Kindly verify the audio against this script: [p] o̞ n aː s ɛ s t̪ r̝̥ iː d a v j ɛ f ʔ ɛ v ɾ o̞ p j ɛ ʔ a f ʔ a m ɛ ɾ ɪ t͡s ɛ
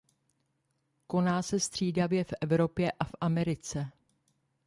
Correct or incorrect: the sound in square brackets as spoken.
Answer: incorrect: k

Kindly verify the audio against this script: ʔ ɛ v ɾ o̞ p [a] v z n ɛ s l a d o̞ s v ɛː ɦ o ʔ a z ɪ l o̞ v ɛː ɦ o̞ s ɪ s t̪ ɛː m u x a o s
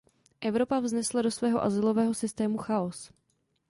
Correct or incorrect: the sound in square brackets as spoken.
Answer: correct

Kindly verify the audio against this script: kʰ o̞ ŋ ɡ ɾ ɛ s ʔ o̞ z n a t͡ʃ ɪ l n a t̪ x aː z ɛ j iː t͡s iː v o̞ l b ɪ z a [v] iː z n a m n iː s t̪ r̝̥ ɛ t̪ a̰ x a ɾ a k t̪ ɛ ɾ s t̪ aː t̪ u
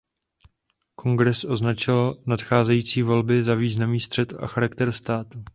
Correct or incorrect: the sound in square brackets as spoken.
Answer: correct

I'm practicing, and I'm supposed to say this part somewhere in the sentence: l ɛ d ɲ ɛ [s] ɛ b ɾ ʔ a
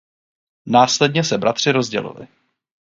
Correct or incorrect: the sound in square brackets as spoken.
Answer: correct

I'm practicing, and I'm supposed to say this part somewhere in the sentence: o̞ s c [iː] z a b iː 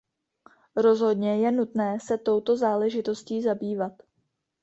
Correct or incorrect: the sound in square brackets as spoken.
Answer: correct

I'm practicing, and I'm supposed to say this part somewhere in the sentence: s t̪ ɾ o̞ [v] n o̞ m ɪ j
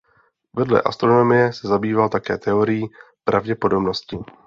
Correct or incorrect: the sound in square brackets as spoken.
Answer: incorrect: none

